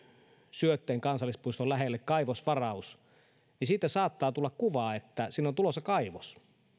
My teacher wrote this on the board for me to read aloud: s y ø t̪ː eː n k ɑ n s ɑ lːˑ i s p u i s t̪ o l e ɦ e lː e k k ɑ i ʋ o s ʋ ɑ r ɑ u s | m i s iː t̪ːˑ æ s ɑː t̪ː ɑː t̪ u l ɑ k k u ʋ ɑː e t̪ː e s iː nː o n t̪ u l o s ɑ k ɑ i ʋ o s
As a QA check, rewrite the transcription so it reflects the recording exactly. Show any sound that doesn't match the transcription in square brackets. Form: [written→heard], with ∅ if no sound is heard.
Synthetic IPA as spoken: s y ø t̪ː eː [n→ŋ] k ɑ n s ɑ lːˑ i s p u i s t̪ o l [e→æ] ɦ e lː e k k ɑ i ʋ o s ʋ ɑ r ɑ u s | [m→n] i s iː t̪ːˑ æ s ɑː t̪ː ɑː t̪ u [l→lː] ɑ k k u ʋ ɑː e t̪ː [e→æ] s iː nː o n t̪ u l o s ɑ k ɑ i ʋ o s